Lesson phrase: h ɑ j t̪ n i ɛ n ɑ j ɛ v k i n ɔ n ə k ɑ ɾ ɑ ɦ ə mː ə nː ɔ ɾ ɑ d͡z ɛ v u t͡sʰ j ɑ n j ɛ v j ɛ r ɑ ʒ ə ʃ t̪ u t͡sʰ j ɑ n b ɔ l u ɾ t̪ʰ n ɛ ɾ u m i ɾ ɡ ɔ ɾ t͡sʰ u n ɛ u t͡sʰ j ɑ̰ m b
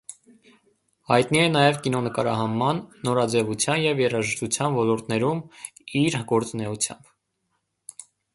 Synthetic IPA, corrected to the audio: h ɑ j t̪ n i ɛ n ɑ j ɛ v k i n ɔ n ə k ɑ ɾ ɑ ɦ ɑ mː ɑ nː ɔ ɾ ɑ d͡z ɛ v u t͡sʰ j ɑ n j ɛ v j ɛ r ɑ ʒ ə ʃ t̪ u t͡sʰ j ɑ n v ɔ l ɔ ɾ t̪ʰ n ɛ ɾ u m i ɾ ɡ ɔ ɾ t͡s u n ɛ u t͡sʰ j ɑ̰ m b